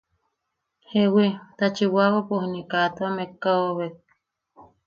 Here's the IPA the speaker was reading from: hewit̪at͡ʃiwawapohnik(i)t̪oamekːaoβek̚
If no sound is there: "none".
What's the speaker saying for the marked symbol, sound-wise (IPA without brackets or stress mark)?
a